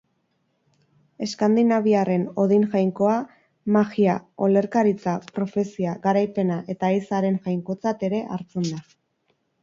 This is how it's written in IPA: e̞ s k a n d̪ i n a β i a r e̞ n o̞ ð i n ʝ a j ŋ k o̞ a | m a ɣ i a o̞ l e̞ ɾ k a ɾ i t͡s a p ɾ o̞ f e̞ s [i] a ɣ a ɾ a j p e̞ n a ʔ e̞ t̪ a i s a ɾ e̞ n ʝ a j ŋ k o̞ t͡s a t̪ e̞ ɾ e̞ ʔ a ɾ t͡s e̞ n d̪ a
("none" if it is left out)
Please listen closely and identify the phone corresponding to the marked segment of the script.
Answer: i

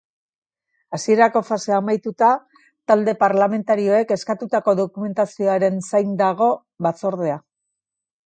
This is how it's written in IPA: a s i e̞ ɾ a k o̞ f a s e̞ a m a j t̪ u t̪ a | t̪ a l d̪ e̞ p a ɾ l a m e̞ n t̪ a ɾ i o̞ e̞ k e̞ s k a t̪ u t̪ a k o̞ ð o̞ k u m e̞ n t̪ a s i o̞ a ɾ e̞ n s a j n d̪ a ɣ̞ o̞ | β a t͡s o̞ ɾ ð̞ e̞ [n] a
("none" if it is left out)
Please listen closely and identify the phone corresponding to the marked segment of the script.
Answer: none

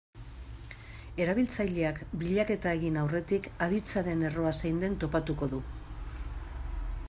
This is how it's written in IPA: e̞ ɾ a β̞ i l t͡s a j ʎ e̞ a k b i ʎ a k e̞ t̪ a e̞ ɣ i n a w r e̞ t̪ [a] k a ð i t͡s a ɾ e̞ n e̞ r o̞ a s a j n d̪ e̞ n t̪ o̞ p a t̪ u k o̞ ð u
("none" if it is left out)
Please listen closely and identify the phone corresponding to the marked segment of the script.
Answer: i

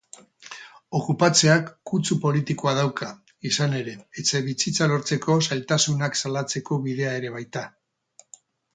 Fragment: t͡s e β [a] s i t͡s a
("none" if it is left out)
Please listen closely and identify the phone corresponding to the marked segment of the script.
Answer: i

